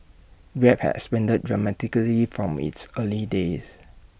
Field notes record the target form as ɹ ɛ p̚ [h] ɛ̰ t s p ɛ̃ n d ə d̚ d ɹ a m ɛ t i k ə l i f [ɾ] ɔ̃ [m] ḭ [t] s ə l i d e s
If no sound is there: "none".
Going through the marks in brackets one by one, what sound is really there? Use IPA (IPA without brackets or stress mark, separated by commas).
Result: h, ɹ, m, t